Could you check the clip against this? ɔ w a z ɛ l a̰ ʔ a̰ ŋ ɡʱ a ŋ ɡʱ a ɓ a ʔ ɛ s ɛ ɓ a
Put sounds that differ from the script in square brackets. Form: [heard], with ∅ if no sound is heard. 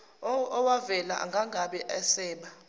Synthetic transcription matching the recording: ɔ w a [v] ɛ l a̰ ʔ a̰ ŋ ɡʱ a ŋ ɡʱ a ɓ [ɛ] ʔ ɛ s [ɛː] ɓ a